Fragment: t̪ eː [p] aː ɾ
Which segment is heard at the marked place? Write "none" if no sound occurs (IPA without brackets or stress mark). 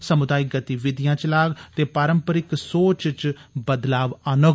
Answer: p